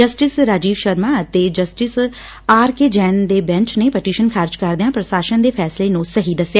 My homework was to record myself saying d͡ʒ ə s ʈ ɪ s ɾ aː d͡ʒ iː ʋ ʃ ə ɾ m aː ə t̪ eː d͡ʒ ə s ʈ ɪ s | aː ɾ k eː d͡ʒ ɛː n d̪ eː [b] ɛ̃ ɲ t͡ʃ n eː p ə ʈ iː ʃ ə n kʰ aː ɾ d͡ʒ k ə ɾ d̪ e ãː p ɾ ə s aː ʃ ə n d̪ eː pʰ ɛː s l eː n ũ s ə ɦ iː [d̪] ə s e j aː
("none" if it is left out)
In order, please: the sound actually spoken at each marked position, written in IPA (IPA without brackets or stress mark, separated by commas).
b, d̪